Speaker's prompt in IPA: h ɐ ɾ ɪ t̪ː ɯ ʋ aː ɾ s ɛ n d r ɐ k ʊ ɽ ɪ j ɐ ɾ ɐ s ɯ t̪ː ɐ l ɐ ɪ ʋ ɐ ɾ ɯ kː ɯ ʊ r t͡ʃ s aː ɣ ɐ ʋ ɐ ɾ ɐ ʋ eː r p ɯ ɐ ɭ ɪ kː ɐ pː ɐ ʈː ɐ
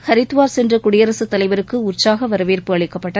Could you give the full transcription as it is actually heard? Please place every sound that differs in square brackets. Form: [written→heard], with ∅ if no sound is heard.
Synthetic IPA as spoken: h ɐ ɾ ɪ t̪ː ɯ ʋ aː ɾ s ɛ n d r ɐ k ʊ ɽ ɪ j ɐ ɾ ɐ s ɯ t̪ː ɐ l ɐ ɪ ʋ ɐ ɾ ɯ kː ɯ ʊ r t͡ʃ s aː ɣ ɐ ʋ ɐ ɾ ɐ ʋ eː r p ɯ ɐ ɭ ɪ kː ɐ pː ɐ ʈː ɐ

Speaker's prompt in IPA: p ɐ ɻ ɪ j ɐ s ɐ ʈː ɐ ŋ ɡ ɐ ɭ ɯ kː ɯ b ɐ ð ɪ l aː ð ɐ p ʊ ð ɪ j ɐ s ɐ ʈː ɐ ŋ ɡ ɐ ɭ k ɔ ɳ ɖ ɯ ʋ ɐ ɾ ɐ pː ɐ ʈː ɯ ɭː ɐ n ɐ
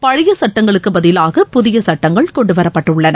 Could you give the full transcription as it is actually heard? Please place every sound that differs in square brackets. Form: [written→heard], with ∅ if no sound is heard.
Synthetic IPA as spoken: p ɐ ɻ ɪ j ɐ s ɐ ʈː ɐ ŋ ɡ ɐ ɭ ɯ kː ɯ b ɐ ð ɪ l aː [ð→ɣ] ɐ p ʊ ð ɪ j ɐ s ɐ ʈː ɐ ŋ ɡ ɐ ɭ k ɔ ɳ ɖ ɯ ʋ ɐ ɾ ɐ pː ɐ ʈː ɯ ɭː ɐ n ɐ

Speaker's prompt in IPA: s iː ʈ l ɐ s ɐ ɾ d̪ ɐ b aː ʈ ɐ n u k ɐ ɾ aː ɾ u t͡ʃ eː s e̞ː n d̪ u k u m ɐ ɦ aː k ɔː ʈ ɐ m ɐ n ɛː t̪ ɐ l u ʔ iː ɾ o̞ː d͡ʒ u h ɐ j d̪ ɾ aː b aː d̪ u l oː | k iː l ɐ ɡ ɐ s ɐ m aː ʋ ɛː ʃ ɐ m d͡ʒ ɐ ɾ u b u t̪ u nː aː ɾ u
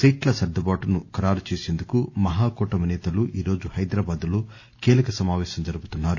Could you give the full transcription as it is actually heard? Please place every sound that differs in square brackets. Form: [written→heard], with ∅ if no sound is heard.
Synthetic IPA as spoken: s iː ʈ l ɐ s ɐ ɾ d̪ ɐ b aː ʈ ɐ n u k ɐ ɾ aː ɾ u t͡ʃ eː s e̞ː n d̪ u k u m ɐ ɦ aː k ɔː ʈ ɐ m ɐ n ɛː t̪ ɐ l u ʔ iː ɾ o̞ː d͡ʒ u h ɐ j d̪ ɾ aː b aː d̪ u l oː | k iː l ɐ [ɡ→k] ɐ s ɐ m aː ʋ ɛː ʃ ɐ m d͡ʒ ɐ ɾ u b u t̪ u nː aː ɾ u

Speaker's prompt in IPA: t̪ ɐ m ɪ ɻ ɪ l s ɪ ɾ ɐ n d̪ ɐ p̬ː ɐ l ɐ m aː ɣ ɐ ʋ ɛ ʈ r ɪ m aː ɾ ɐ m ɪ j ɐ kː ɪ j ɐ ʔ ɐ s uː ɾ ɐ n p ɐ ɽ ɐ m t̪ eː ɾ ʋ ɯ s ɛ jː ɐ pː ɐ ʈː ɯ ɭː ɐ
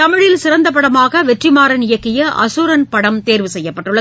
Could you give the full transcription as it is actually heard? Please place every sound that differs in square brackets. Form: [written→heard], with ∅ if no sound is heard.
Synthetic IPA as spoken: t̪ ɐ m ɪ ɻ ɪ l s ɪ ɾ ɐ n d̪ ɐ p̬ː ɐ [l→ɽ] ɐ m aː ɣ ɐ ʋ ɛ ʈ r ɪ m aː ɾ ɐ [m→n] ɪ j ɐ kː ɪ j ɐ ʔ ɐ s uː ɾ ɐ n p ɐ ɽ ɐ m t̪ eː ɾ ʋ ɯ s ɛ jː ɐ pː ɐ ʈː ɯ ɭː ɐ

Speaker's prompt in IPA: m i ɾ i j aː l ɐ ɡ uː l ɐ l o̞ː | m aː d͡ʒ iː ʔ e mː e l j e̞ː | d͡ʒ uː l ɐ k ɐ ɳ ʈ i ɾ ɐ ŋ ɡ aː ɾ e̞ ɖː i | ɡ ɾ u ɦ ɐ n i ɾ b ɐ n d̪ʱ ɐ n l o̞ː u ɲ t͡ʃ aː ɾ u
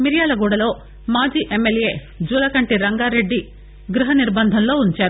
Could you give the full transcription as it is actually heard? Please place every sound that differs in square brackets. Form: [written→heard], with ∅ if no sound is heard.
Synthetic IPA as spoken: m i ɾ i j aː l ɐ ɡ uː [l→ɽ] ɐ l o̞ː | m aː d͡ʒ iː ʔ e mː e l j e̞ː | d͡ʒ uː l ɐ k ɐ ɳ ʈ i ɾ ɐ ŋ ɡ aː ɾ e̞ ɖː i | ɡ ɾ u ɦ ɐ n i ɾ b ɐ n d̪ʱ ɐ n l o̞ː u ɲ t͡ʃ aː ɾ u

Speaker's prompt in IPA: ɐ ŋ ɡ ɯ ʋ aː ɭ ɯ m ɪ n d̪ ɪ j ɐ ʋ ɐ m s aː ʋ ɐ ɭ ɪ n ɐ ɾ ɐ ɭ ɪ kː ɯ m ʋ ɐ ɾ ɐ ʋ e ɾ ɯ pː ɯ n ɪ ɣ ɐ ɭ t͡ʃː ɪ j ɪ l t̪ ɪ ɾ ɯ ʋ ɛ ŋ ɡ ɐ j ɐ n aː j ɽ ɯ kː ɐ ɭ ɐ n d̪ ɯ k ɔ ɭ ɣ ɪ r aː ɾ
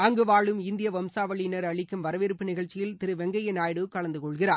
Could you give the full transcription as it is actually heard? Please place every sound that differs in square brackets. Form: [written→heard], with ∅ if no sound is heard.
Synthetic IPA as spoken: ɐ ŋ ɡ ɯ ʋ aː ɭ ɯ m ɪ n d̪ ɪ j ɐ ʋ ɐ m s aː ʋ ɐ ɭ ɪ n ɐ ɾ ɐ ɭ ɪ kː ɯ m ʋ ɐ ɾ ɐ ʋ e ɾ ɯ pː ɯ n ɪ ɣ ɐ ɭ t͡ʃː ɪ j ɪ l t̪ ɪ ɾ ɯ ʋ ɛ ŋ ɡ ɐ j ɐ n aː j ɽ ɯ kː ɐ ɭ ɐ n d̪ ɯ k ɔ ɭ ɣ ɪ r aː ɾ

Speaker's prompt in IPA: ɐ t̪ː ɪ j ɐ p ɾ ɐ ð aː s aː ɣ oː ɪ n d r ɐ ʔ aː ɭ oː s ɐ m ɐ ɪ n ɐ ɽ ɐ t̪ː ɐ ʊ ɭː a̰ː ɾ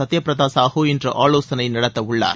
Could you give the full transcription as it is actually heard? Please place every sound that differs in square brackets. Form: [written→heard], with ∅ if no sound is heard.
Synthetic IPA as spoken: ɐ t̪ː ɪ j ɐ p ɾ ɐ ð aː s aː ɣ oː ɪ n d r ɐ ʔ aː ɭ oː s ɐ [m→n] ɐ ɪ n ɐ ɽ ɐ t̪ː ɐ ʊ ɭː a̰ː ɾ

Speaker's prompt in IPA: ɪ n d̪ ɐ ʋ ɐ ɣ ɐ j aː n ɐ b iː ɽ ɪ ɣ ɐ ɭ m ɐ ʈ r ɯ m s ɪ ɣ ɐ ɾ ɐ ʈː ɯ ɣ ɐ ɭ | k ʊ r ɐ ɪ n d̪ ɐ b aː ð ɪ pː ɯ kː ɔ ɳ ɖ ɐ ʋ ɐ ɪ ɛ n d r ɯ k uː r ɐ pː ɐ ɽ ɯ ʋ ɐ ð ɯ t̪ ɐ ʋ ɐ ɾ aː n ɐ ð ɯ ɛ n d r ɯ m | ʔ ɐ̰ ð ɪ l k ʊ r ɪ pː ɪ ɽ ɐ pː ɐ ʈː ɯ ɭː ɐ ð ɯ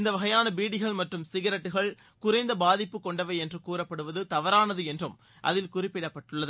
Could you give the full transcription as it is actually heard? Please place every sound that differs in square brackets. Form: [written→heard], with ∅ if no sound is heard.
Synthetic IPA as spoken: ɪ n d̪ ɐ ʋ ɐ ɣ ɐ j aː n ɐ b iː ɽ ɪ ɣ ɐ ɭ m ɐ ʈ r ɯ m s ɪ ɣ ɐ ɾ ɐ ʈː ɯ ɣ ɐ ɭ | k ʊ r ɐ ɪ n d̪ ɐ b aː ð ɪ pː ɯ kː ɔ ɳ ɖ ɐ ʋ ɐ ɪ ɛ n d r ɯ k uː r ɐ pː ɐ ɽ ɯ ʋ ɐ ð ɯ t̪ ɐ ʋ ɐ ɾ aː n ɐ ð ɯ ɛ n d r ɯ m | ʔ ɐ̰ ð ɪ l k ʊ r ɪ pː ɪ ɽ ɐ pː ɐ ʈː ɯ ɭː ɐ ð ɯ

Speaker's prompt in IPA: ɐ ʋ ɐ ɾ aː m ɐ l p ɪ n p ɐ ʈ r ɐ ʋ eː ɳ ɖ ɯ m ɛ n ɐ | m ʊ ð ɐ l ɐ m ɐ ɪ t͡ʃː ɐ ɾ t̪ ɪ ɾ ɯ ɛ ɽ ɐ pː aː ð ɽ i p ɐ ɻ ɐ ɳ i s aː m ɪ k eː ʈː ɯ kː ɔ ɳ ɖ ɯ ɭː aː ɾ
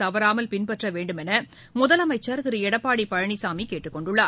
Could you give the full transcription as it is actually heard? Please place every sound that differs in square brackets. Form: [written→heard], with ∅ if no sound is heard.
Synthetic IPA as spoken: ɐ ʋ ɐ ɾ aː m ɐ l p ɪ n p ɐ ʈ r ɐ ʋ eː ɳ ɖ ɯ m ɛ n ɐ | m ʊ ð ɐ l ɐ m ɐ ɪ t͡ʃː ɐ ɾ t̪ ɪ ɾ ɯ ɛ ɽ ɐ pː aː [ð→∅] ɽ i p ɐ ɻ ɐ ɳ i s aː m [ɪ→i] k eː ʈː ɯ kː ɔ ɳ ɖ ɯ ɭː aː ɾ

